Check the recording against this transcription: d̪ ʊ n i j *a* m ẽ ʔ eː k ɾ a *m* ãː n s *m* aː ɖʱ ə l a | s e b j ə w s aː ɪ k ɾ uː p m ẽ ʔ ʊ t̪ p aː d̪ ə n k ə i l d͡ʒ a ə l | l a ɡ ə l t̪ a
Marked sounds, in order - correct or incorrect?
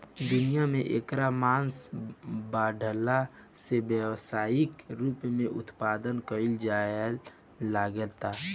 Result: correct, correct, incorrect

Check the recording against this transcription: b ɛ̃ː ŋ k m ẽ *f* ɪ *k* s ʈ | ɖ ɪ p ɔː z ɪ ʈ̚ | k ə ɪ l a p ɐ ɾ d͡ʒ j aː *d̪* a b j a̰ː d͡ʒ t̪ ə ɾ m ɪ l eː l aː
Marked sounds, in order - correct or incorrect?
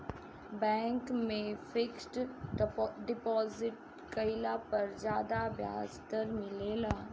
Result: correct, correct, correct

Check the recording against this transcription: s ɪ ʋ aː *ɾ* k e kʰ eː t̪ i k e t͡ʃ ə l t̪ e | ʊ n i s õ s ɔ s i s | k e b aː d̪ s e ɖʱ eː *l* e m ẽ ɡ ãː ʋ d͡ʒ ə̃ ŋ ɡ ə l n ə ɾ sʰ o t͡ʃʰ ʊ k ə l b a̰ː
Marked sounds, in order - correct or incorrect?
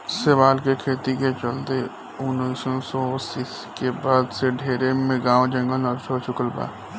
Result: incorrect, incorrect

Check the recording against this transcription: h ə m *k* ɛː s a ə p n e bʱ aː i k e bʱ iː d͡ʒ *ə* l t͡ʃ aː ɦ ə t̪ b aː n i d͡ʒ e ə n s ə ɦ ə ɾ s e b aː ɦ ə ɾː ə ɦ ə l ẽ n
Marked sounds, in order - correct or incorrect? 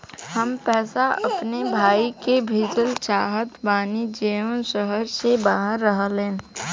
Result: incorrect, correct

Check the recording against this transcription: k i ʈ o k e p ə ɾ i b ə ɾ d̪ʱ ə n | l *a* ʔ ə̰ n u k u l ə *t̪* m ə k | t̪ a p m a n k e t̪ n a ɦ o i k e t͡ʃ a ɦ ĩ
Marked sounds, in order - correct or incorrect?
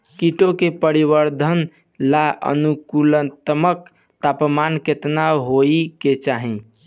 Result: correct, correct

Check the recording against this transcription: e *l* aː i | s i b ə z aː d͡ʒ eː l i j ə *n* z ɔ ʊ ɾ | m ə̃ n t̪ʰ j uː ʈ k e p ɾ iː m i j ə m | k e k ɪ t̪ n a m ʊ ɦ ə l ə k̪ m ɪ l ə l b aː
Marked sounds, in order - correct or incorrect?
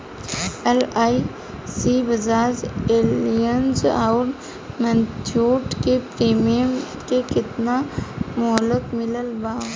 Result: correct, correct

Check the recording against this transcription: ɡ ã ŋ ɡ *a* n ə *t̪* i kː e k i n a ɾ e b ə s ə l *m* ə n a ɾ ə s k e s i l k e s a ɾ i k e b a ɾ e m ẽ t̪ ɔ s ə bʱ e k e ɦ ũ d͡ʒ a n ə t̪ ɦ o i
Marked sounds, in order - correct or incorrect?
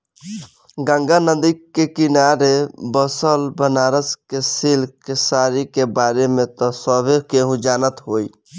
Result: correct, incorrect, incorrect

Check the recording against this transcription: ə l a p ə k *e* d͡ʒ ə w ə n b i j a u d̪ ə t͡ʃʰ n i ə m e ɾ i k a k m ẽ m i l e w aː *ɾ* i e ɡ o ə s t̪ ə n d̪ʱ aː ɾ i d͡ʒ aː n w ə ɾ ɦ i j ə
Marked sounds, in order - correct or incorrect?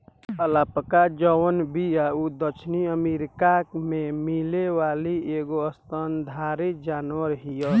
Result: incorrect, incorrect

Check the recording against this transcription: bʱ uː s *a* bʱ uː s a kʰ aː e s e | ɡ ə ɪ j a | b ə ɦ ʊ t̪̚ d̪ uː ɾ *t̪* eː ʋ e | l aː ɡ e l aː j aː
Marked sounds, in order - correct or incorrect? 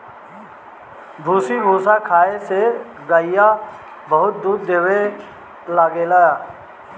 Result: incorrect, incorrect

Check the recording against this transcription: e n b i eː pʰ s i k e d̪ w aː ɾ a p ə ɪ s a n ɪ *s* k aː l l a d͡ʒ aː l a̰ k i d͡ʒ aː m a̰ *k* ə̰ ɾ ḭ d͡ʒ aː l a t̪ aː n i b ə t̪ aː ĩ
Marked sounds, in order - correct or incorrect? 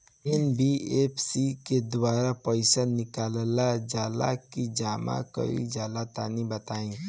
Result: incorrect, correct

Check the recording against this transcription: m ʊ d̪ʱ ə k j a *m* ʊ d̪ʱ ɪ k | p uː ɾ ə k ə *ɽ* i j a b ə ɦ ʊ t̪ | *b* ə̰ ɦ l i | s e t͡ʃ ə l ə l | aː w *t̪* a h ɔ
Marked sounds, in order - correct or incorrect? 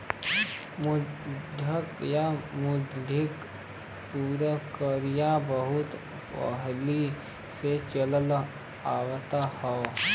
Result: correct, incorrect, incorrect, correct

